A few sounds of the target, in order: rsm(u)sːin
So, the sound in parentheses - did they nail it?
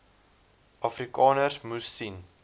yes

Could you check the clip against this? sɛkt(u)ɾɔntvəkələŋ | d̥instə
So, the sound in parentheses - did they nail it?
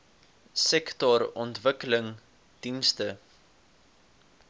no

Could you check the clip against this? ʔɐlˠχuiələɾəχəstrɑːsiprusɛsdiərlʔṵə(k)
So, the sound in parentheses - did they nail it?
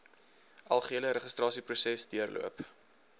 no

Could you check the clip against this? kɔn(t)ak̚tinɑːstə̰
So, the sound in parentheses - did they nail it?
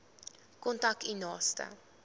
yes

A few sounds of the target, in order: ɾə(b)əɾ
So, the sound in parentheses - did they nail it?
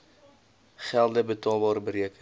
yes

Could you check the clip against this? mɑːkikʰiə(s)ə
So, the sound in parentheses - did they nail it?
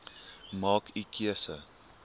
yes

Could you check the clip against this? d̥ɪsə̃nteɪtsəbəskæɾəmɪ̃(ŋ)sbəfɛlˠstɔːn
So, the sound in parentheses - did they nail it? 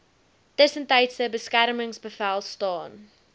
yes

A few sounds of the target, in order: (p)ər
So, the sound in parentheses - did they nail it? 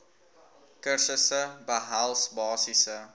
no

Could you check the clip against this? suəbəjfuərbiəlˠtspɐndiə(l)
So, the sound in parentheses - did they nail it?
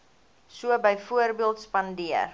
no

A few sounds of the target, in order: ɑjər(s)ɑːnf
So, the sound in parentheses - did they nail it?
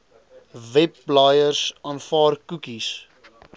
yes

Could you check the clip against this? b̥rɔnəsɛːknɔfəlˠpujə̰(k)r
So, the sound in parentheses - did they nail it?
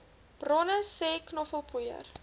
no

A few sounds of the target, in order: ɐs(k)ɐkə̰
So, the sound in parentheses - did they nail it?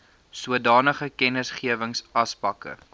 no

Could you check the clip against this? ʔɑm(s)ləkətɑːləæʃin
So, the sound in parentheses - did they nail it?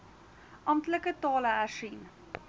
no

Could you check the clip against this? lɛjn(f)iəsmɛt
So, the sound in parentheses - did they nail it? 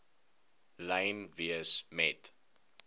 no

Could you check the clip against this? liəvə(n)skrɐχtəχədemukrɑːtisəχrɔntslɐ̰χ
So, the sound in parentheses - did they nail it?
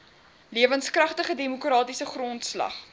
yes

